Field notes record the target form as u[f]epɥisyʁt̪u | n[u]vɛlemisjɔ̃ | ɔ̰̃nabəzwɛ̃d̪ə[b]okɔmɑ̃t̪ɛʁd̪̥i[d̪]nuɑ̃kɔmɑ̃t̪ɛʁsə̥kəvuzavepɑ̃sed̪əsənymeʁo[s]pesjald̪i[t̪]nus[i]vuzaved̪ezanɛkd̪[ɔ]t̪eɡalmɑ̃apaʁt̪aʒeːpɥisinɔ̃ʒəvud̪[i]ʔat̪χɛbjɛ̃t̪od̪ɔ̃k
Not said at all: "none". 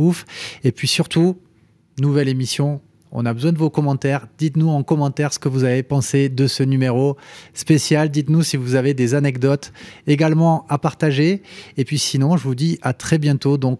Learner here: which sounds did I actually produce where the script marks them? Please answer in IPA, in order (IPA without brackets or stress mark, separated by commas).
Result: f, u, v, t̪, s, t̪, i, ɔ, i